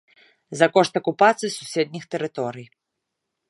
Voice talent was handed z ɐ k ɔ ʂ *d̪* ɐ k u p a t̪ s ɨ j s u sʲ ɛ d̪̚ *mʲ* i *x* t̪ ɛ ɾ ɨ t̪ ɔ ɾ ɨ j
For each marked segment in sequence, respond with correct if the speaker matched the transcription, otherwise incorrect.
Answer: incorrect, incorrect, correct

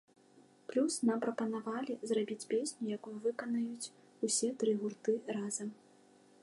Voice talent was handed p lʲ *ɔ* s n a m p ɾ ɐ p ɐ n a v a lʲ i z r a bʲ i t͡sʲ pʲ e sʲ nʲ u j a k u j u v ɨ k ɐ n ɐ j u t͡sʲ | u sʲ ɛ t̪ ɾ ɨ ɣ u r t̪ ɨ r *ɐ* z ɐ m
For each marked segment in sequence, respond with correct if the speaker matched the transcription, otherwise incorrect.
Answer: incorrect, incorrect

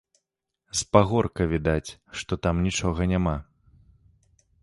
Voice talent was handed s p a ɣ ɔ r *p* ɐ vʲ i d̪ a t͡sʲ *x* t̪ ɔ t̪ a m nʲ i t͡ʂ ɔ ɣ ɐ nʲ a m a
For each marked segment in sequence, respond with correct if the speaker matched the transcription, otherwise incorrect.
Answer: incorrect, incorrect

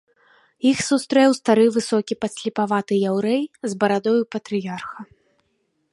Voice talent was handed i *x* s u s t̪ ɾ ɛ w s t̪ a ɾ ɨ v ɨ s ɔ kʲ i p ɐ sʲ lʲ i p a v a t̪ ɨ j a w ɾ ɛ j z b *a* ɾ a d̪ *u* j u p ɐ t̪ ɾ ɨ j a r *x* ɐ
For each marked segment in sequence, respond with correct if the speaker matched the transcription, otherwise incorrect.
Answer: correct, incorrect, incorrect, correct

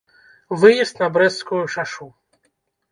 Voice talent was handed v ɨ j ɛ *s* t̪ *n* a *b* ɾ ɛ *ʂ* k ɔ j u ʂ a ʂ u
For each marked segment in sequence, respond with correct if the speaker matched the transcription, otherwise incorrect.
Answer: correct, correct, correct, incorrect

